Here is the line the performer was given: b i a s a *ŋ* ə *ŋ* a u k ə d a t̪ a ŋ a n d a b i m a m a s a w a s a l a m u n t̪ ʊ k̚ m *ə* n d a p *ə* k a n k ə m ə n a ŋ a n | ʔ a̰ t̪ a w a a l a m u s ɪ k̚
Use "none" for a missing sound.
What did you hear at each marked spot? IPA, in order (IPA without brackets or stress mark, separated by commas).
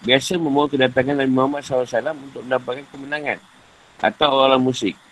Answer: m, m, ə, a